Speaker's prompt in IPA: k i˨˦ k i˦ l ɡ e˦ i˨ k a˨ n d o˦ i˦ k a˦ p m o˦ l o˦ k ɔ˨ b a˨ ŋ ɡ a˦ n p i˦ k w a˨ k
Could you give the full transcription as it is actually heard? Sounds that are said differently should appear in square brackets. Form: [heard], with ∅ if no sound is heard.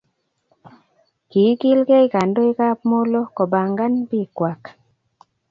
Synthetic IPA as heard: k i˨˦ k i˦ l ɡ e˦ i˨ k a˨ n d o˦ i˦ k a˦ p m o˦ l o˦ k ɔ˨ b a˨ ŋ ɡ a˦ n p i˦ k w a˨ k